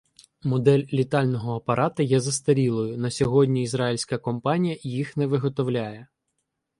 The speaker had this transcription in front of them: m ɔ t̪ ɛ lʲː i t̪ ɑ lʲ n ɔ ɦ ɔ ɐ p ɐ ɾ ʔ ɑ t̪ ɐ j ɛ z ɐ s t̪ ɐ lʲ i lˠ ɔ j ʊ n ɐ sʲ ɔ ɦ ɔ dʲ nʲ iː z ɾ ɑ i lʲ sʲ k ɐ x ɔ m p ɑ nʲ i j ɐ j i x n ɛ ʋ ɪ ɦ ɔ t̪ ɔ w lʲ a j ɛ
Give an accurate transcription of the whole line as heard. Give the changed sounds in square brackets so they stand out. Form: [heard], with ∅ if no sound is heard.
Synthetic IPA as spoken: m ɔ [d̪] ɛ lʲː i t̪ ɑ lʲ n ɔ ɦ ɔ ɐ p ɐ ɾ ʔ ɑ t̪ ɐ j ɛ z ɐ s t̪ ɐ [ɾʲ] i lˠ ɔ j ʊ n ɐ sʲ ɔ ɦ ɔ dʲ nʲ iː z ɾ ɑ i lʲ sʲ k ɐ [k] ɔ m p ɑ nʲ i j ɐ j i x n ɛ ʋ ɪ ɦ ɔ t̪ ɔ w lʲ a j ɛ